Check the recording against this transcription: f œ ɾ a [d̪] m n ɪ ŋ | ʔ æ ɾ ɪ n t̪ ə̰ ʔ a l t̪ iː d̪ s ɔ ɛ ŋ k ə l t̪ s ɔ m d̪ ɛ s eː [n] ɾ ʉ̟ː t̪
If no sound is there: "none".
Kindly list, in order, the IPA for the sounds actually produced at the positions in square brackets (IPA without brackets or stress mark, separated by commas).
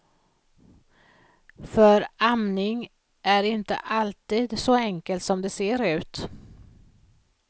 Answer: none, none